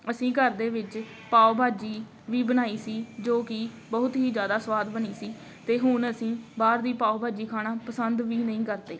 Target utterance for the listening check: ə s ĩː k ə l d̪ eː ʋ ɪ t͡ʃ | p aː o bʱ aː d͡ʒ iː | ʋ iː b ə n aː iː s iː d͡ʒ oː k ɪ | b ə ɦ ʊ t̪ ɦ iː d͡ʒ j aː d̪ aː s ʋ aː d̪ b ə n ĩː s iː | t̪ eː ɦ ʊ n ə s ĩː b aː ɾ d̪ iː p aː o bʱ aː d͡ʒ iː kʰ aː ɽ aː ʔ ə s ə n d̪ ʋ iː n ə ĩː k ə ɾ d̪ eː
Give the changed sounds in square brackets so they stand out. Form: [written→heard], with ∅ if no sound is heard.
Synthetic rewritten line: ə s ĩː k ə [l→ɾ] d̪ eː ʋ ɪ t͡ʃ | p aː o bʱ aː d͡ʒ iː | ʋ iː b ə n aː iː s iː d͡ʒ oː k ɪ | b ə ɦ ʊ t̪ ɦ iː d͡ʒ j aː d̪ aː s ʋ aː d̪ b ə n [ĩː→iː] s iː | t̪ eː ɦ ʊ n ə s ĩː b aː ɾ d̪ iː p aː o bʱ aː d͡ʒ iː kʰ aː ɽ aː [ʔ→p] ə s ə n d̪ ʋ iː n ə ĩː k ə ɾ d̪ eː

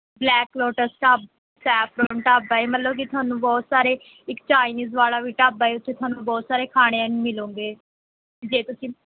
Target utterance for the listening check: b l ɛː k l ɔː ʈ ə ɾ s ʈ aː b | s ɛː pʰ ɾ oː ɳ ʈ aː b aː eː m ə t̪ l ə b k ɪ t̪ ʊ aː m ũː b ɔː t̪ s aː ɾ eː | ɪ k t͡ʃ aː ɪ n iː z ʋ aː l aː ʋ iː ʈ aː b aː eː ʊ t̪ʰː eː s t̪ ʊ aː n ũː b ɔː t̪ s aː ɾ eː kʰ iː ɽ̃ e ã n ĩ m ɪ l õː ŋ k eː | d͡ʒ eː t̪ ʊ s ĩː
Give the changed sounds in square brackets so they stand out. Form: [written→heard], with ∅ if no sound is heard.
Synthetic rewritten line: b l ɛː k l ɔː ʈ ə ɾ s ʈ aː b | s ɛː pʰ ɾ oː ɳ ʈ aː b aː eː m ə t̪ l ə b k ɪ t̪ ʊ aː [m→n] ũː b ɔː t̪ s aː ɾ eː | ɪ k t͡ʃ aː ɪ n iː z ʋ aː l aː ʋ iː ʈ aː b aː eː ʊ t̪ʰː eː [s→∅] t̪ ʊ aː n ũː b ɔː t̪ s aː ɾ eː kʰ [iː→aː] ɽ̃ e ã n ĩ m ɪ l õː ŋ [k→ɡ] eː | d͡ʒ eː t̪ ʊ s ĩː

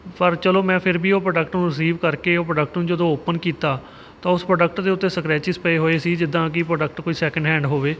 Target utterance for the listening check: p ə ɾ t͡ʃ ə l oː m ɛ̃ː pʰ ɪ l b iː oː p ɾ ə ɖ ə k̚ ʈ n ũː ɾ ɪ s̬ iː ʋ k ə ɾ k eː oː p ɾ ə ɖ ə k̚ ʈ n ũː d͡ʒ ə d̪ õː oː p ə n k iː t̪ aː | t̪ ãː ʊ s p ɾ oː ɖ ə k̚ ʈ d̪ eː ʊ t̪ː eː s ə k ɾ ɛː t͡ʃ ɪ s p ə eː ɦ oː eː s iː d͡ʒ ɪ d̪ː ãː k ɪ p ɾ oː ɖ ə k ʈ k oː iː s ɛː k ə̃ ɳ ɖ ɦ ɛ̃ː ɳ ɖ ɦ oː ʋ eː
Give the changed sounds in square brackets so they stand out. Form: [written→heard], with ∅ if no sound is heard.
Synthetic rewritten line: p ə ɾ t͡ʃ ə l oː m ɛ̃ː pʰ ɪ [l→ɾ] b iː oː p ɾ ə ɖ ə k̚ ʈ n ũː ɾ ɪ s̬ iː ʋ k ə ɾ k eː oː p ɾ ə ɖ ə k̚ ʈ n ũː d͡ʒ ə d̪ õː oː p ə n k iː t̪ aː | t̪ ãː ʊ s p ɾ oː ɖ ə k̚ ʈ d̪ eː ʊ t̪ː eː s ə k ɾ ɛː t͡ʃ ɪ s p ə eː ɦ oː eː s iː d͡ʒ ɪ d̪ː ãː k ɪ p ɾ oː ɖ ə k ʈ k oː iː s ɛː k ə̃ ɳ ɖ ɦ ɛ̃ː ɳ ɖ ɦ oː ʋ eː

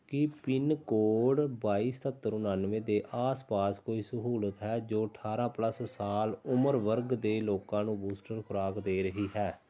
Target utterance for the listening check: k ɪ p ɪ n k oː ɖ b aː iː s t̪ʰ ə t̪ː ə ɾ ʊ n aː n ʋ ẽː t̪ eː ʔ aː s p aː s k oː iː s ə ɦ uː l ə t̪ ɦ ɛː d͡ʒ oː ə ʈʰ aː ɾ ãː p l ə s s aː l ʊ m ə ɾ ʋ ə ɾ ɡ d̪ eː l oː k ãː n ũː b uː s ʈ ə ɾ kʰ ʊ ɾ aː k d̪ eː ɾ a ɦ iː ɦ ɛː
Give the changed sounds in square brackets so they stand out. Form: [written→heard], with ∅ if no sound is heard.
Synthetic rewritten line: k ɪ p ɪ n k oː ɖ b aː iː s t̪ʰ ə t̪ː ə ɾ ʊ n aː n ʋ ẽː [t̪→d̪] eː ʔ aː s p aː s k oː iː s ə ɦ uː l ə t̪ ɦ ɛː d͡ʒ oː ə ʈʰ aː ɾ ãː p l ə s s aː l ʊ m ə ɾ ʋ ə ɾ ɡ d̪ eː l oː k ãː n ũː b uː s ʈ ə ɾ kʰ ʊ ɾ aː k d̪ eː ɾ [a→ə] ɦ iː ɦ ɛː

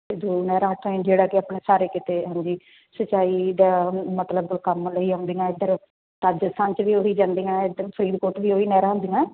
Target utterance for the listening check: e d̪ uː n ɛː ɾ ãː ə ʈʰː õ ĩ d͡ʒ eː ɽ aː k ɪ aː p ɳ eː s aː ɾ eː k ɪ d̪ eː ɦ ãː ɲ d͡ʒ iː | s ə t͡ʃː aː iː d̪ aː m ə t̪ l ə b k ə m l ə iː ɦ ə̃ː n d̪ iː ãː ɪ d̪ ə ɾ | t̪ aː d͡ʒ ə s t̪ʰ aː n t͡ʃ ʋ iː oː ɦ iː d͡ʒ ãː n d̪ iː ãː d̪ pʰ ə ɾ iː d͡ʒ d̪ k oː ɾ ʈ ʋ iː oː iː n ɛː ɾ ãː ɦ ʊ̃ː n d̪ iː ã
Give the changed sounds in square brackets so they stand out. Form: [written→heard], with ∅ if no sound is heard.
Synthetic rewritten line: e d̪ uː n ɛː ɾ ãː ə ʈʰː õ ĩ d͡ʒ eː ɽ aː k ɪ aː p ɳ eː s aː ɾ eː k ɪ [d̪→t̪] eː ɦ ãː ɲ d͡ʒ iː | s ə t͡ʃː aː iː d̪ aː m ə t̪ l ə b k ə m l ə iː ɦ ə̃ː n d̪ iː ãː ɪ d̪ ə ɾ | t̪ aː d͡ʒ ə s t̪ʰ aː n t͡ʃ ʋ iː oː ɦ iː d͡ʒ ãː n d̪ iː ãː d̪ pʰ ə ɾ iː [d͡ʒ→∅] d̪ k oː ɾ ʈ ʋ iː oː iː n ɛː ɾ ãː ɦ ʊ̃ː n d̪ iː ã

